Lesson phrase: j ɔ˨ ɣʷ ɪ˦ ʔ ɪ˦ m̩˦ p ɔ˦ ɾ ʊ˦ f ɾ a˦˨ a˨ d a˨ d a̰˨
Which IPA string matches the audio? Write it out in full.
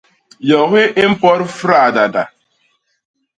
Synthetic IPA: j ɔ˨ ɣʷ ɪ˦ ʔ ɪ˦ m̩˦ p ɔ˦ ɾ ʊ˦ f ɾ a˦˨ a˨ d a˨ d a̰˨